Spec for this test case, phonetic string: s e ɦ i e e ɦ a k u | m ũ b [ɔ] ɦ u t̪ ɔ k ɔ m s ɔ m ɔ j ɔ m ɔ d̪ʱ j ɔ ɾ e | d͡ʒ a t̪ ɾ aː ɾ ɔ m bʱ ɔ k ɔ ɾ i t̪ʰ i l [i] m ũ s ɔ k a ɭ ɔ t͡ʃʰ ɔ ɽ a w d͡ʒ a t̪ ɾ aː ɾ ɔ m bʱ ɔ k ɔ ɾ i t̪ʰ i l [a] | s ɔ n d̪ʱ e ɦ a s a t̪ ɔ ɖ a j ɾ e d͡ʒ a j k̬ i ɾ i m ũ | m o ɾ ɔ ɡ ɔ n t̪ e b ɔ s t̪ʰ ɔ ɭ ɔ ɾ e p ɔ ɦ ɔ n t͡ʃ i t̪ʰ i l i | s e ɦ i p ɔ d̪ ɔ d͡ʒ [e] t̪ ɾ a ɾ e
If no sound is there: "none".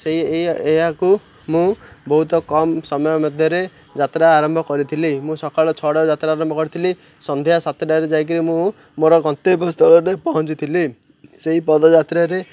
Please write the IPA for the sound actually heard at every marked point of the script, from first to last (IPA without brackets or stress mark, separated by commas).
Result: ɔ, i, i, a